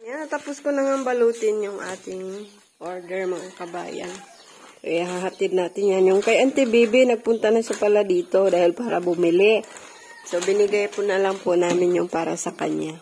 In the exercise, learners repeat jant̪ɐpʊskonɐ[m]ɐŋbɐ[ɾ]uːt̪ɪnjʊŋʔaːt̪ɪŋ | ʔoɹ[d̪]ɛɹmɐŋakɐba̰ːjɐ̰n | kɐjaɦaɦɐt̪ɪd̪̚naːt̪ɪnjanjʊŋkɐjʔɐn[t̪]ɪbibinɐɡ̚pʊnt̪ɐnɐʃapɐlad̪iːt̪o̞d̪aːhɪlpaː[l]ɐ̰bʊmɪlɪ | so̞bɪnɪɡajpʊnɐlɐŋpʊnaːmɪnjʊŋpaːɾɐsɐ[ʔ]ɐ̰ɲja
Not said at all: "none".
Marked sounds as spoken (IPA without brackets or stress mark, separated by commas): ŋ, l, d̪, t̪, ɾ, k